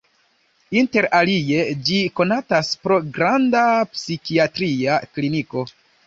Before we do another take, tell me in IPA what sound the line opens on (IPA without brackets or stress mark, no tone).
i